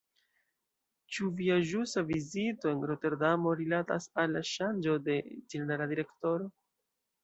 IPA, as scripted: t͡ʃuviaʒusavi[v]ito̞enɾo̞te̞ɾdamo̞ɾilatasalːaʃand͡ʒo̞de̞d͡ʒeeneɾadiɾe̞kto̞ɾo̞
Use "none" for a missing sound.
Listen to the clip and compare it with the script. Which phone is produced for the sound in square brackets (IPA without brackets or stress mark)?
z